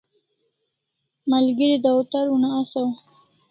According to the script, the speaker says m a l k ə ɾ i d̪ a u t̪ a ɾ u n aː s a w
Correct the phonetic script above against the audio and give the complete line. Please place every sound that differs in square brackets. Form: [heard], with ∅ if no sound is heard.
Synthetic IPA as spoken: m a l [ɡ] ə ɾ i d̪ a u t̪ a ɾ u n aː s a w